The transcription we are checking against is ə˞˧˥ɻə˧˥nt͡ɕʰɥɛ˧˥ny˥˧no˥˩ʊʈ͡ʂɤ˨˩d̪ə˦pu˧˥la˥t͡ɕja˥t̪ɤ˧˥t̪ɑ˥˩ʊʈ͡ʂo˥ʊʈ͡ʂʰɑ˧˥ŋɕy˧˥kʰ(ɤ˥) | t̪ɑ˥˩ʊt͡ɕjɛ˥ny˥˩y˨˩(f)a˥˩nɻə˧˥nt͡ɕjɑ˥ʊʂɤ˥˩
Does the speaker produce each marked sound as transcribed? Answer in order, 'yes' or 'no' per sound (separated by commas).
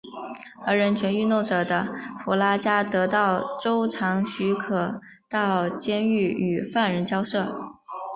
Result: no, yes